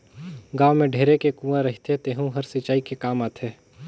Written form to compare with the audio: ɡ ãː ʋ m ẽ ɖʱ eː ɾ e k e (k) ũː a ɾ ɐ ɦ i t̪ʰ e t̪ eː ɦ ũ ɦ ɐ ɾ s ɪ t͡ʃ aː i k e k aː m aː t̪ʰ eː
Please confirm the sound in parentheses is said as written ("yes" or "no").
yes